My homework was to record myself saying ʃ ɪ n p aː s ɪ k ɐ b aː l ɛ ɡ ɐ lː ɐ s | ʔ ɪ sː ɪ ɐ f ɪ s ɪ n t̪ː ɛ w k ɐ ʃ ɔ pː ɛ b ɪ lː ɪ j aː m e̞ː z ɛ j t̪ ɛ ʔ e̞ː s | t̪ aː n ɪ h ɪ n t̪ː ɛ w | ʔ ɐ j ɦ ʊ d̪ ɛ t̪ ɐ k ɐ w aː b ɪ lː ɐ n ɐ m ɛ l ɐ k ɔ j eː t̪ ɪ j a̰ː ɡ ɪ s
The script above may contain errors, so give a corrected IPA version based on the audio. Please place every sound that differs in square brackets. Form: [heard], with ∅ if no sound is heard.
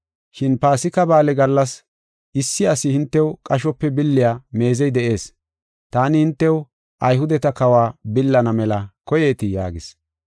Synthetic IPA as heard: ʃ ɪ n p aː s ɪ k ɐ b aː l ɛ ɡ ɐ lː ɐ s | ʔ ɪ sː ɪ ɐ [s] ɪ [h] ɪ n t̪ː ɛ w [kʼ] ɐ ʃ ɔ pː ɛ b ɪ lː ɪ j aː m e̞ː z ɛ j [d̪] ɛ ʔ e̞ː s | t̪ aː n ɪ h ɪ n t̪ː ɛ w | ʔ ɐ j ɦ ʊ d̪ ɛ t̪ ɐ k ɐ w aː b ɪ lː ɐ n ɐ m ɛ l ɐ k ɔ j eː t̪ ɪ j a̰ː ɡ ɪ s